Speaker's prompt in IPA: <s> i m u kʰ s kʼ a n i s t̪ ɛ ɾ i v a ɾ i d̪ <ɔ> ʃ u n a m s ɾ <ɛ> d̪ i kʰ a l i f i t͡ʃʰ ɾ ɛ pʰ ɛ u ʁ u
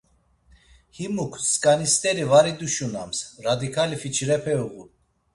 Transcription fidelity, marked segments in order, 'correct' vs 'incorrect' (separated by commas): incorrect, incorrect, incorrect